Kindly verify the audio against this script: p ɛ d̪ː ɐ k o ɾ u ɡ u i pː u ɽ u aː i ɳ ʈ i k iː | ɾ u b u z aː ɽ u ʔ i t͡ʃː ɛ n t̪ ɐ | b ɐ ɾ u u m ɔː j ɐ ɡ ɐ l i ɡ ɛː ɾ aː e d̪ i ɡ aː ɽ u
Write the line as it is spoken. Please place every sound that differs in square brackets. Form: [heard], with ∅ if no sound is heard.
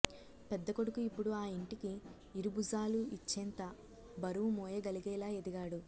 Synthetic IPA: p ɛ d̪ː ɐ k o [ɽ] u [k] u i pː u ɽ u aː i ɳ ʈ i k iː | ɾ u b u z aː [l] u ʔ i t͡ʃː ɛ n t̪ ɐ | b ɐ ɾ u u m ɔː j ɐ ɡ ɐ l i ɡ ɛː [l] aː e d̪ i ɡ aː ɽ u